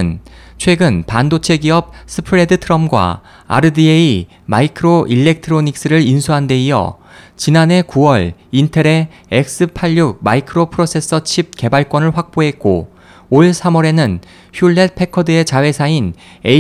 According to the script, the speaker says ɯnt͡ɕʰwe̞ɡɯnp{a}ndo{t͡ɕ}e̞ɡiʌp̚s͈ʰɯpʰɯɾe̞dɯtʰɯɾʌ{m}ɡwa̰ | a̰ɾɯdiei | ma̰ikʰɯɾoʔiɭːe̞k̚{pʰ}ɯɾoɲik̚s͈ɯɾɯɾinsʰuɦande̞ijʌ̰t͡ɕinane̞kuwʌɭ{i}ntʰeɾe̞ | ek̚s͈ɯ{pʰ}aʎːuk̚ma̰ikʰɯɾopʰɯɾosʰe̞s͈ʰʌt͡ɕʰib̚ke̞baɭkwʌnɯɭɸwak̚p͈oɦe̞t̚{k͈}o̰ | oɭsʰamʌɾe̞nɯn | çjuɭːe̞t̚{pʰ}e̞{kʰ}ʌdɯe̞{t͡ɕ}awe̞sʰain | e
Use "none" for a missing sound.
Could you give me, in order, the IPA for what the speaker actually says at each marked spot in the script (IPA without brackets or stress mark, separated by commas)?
a, t͡ɕʰ, m, tʰ, i, pʰ, k͈, pʰ, kʰ, t͡ɕ